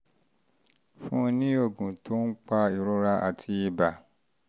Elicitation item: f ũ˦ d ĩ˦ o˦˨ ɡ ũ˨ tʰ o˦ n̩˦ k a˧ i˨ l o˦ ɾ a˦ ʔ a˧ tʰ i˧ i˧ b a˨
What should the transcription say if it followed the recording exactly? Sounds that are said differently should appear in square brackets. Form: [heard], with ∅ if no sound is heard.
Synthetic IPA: f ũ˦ [n] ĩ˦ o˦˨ ɡ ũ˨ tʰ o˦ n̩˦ [k͡p] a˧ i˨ [ɾ] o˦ ɾ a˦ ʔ a˧ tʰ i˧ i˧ b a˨

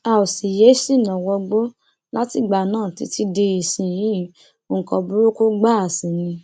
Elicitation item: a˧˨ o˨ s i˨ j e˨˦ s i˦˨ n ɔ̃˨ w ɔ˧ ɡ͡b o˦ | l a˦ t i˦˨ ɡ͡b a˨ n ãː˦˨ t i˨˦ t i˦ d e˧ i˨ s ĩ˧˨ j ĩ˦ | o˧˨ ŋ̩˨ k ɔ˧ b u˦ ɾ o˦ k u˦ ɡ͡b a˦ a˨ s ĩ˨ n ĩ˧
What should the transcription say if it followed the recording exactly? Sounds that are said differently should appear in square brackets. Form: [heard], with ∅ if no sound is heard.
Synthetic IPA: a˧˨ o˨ s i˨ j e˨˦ s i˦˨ n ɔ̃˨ w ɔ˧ ɡ͡b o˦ | l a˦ t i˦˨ ɡ͡b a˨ n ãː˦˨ t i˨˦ t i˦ d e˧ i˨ s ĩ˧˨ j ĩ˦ | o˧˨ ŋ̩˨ k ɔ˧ b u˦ ɾ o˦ k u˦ ɡ͡b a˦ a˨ s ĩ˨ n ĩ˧

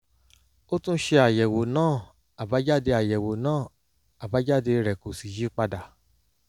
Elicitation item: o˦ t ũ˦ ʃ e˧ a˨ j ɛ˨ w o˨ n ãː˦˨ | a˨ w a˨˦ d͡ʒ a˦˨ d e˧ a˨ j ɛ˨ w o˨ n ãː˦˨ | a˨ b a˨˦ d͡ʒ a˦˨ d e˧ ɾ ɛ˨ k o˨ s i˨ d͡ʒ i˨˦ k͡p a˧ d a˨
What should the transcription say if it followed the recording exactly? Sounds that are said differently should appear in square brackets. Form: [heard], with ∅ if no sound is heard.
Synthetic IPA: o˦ t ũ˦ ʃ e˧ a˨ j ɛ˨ w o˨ n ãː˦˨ | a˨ [b] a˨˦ d͡ʒ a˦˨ d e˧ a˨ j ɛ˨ w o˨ n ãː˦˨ | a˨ b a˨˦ d͡ʒ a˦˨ d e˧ ɾ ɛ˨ k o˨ s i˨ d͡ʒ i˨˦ k͡p a˧ d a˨

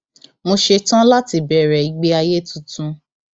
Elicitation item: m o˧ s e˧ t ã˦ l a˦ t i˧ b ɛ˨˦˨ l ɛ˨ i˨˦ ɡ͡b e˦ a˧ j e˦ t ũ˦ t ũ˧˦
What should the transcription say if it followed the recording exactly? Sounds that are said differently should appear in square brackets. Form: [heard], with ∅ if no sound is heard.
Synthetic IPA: m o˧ [ʃ] e˧ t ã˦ l a˦ t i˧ b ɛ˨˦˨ [ɾ] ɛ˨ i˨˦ ɡ͡b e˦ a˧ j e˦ t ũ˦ t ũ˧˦

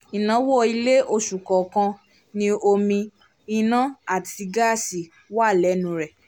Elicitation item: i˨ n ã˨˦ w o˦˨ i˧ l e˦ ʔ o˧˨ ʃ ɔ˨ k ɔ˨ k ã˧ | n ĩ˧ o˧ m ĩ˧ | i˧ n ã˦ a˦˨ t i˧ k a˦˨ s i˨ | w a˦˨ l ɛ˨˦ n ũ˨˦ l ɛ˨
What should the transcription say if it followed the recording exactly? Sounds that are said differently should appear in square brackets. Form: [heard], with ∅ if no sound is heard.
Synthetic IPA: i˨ n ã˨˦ w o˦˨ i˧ l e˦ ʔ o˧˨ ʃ [u˨] k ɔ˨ k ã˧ | n ĩ˧ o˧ m ĩ˧ | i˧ n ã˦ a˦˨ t i˧ [ɡ] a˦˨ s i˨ | w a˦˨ l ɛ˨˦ n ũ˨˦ [ɾ] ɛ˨

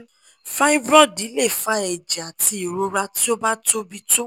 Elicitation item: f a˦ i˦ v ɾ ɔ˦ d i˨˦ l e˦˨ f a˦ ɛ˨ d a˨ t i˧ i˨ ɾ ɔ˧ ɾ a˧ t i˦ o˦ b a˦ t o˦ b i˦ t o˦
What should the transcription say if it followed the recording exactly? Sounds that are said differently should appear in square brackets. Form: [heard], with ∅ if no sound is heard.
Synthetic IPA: f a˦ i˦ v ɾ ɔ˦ d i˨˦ l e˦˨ f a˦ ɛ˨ [d͡ʒ] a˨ t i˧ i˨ ɾ [o˧] ɾ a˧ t i˦ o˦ b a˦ t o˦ b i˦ t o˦

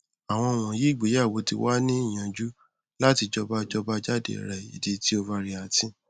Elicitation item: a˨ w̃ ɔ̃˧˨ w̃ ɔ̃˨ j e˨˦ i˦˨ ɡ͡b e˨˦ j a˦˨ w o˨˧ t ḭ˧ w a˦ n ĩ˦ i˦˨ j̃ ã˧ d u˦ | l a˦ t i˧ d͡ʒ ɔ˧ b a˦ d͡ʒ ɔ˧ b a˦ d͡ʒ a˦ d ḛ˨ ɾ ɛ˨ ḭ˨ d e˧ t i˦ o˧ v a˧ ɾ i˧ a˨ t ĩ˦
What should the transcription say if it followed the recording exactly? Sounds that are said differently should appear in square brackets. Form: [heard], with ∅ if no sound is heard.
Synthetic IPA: a˨ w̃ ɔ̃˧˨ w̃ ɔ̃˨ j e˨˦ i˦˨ ɡ͡b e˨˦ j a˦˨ w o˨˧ t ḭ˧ w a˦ n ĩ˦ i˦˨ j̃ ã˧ [d͡ʒ] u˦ | l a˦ t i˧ d͡ʒ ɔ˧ b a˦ d͡ʒ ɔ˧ b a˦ d͡ʒ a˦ d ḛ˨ ɾ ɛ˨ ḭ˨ d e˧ t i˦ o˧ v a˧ ɾ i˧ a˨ t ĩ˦

